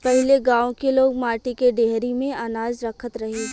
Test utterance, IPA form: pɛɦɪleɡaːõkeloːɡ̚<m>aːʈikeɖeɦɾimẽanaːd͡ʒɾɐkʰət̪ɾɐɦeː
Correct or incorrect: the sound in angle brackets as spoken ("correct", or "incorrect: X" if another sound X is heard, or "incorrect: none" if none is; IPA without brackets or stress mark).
correct